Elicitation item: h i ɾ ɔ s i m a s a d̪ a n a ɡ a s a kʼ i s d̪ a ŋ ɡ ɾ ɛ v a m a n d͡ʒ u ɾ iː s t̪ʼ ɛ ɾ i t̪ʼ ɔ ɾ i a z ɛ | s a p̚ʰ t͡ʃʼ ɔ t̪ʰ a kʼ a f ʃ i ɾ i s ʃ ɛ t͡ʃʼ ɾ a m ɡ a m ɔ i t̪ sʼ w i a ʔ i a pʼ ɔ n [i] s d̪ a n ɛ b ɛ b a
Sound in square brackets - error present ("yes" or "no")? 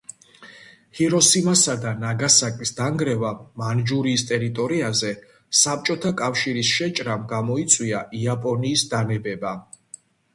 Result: yes